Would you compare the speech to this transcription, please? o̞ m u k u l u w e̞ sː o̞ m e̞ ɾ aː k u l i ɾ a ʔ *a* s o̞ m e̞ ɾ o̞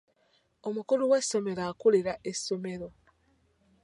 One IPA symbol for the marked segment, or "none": e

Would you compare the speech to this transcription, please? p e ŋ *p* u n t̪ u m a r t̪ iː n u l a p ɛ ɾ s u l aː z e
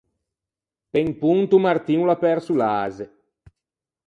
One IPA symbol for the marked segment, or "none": p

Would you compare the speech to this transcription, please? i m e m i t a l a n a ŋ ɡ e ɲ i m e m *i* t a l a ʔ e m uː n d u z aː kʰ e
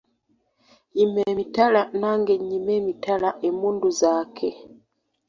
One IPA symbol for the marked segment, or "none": i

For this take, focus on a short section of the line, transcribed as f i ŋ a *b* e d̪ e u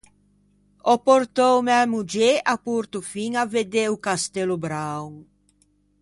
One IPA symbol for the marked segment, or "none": v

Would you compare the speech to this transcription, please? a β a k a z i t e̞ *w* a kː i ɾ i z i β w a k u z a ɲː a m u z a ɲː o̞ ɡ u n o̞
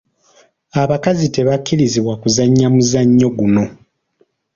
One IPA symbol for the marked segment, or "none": β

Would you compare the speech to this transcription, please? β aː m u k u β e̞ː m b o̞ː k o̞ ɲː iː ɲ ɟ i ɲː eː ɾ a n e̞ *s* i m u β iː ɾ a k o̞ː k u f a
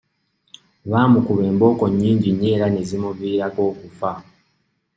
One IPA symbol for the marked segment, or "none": z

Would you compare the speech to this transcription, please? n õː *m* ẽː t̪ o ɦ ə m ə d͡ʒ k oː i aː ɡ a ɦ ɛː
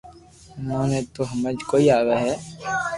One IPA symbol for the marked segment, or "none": n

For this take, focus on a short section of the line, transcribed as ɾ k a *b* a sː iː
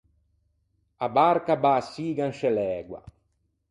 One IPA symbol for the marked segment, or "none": b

